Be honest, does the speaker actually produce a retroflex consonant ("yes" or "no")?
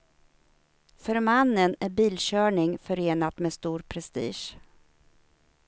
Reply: yes